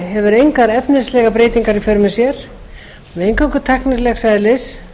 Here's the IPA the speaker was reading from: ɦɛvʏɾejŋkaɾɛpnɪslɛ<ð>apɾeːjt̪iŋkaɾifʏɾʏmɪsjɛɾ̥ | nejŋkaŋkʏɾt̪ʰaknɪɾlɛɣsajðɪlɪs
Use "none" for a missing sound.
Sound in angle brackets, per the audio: ɣ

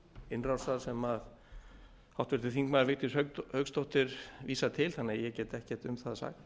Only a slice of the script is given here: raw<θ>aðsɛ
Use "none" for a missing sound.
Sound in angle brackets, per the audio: s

